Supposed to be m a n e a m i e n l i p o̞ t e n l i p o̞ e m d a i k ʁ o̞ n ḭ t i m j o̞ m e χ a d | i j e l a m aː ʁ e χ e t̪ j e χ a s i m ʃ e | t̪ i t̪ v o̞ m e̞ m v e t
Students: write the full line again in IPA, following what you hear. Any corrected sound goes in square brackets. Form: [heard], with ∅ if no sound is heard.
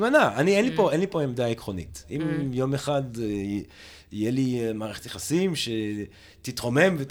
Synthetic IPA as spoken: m a n [a] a [n] i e n l i p o̞ [∅] e n l i p o̞ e m d a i k ʁ o̞ n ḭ t i m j o̞ m e χ a d | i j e l [i] m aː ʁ e χ e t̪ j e χ a s i m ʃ e | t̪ i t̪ [ʁ] o̞ m e̞ m v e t